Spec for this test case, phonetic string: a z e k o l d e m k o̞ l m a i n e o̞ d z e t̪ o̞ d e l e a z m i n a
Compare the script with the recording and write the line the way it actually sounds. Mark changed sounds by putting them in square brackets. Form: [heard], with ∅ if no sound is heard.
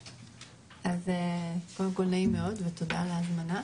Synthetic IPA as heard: a z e k o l d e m k o̞ l [n] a i [m] e o̞ d [v] e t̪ o̞ d [a] l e a z m [a] n a